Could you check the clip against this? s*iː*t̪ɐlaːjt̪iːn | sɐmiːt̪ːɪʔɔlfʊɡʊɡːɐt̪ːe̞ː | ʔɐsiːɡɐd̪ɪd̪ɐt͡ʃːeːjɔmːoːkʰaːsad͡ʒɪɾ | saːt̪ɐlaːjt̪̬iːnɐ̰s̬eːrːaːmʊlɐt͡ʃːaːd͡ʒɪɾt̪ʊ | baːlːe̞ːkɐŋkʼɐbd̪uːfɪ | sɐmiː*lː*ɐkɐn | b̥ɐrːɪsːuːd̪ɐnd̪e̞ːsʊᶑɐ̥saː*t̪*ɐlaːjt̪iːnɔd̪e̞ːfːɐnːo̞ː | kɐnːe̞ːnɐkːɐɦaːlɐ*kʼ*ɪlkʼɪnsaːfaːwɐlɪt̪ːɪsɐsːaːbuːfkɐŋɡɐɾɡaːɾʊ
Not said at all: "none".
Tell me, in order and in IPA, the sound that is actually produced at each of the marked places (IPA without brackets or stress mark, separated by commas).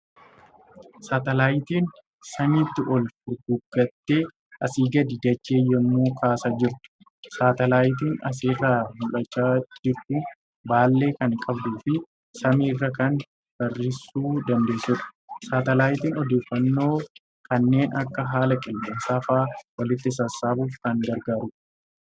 aː, rː, t̪, kʼ